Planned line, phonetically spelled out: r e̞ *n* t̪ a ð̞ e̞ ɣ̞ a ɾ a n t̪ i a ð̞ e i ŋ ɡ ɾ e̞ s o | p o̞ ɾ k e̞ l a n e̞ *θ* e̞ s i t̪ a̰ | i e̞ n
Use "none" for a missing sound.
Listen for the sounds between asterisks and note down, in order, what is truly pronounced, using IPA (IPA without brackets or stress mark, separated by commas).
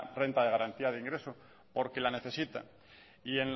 n, θ